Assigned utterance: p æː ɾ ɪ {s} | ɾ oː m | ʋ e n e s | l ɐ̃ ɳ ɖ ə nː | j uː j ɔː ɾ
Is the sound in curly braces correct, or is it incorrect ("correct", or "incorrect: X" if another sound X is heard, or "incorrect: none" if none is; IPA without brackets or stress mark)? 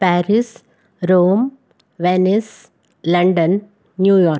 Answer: correct